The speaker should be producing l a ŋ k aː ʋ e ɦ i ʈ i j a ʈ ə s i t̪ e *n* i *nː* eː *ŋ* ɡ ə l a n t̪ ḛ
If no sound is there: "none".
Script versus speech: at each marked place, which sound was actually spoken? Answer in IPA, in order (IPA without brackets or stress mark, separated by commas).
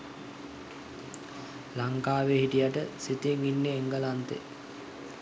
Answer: ŋ, nː, ŋ